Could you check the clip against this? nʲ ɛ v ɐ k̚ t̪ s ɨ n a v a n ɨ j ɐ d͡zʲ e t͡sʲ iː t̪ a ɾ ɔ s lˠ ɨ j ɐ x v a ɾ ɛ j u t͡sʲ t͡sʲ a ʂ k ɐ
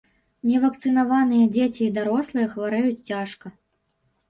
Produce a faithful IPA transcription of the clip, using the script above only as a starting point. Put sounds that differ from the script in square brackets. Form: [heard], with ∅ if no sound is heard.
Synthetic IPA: nʲ ɛ v ɐ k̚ t̪ s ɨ n a v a n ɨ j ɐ d͡zʲ e t͡sʲ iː [d̪] a ɾ ɔ s lˠ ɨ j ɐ x v a ɾ ɛ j u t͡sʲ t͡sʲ a ʂ k ɐ